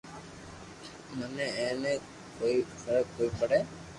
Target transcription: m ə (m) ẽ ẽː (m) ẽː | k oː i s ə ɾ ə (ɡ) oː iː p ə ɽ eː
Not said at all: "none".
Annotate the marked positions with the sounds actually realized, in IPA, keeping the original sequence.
n, n, k

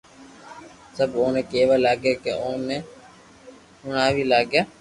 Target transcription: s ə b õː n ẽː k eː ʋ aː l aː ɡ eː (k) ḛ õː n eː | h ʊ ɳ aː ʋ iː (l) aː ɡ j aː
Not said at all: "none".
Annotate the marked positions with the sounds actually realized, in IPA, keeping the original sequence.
k, l

